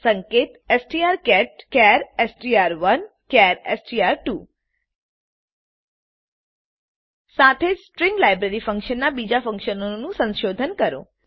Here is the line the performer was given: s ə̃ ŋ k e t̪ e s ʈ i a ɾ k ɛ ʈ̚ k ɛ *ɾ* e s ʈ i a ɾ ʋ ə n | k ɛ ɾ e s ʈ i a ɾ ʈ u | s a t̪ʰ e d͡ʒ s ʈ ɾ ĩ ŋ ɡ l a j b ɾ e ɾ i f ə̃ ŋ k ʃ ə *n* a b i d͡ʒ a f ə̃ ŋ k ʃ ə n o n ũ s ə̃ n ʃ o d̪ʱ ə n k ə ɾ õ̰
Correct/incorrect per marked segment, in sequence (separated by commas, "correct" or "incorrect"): correct, incorrect